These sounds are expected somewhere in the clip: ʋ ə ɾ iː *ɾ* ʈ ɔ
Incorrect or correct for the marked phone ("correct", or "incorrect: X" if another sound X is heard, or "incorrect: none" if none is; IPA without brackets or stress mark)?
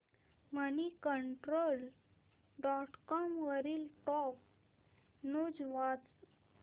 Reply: incorrect: l